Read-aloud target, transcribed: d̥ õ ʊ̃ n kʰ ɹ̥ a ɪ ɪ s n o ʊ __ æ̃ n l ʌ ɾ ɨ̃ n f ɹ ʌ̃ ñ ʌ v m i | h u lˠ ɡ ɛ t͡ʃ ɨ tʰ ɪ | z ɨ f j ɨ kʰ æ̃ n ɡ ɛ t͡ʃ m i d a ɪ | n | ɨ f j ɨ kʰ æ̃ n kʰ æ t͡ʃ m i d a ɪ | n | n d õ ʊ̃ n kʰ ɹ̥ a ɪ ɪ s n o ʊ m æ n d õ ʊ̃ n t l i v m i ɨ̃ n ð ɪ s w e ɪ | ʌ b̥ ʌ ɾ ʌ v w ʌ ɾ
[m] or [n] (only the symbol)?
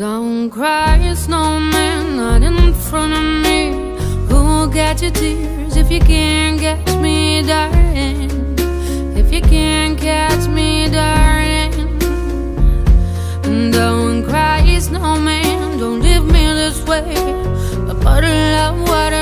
m